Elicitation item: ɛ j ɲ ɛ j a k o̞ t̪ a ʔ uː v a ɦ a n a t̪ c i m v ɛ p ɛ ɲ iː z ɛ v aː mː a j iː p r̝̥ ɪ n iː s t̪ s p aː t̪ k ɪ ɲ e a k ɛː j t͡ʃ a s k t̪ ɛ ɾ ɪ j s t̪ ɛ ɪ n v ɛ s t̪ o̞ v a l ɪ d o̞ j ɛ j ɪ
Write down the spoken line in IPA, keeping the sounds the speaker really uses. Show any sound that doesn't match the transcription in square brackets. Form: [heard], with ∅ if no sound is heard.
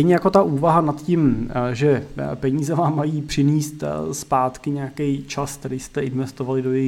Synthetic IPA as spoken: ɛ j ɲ ɛ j a k o̞ t̪ a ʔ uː v a ɦ a n a t̪ c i m [ʒ] ɛ p ɛ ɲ iː z ɛ v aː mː a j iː p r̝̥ ɪ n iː s t̪ s p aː t̪ k ɪ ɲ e a k [ɛ] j t͡ʃ a s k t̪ ɛ ɾ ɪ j s t̪ ɛ ɪ n v ɛ s t̪ o̞ v a l ɪ d o̞ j ɛ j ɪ